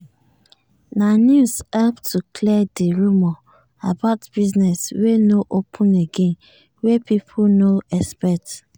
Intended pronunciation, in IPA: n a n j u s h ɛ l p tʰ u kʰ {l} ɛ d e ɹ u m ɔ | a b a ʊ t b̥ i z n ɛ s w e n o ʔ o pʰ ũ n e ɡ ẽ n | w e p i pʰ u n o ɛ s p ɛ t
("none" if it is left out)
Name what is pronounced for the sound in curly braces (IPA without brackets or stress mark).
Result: l